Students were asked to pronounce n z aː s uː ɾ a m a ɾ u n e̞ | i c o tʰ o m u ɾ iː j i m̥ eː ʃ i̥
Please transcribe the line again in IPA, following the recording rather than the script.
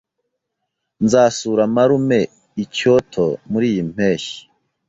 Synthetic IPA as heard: n z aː s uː ɾ a m a ɾ u m e̞ | i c o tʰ o m u ɾ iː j i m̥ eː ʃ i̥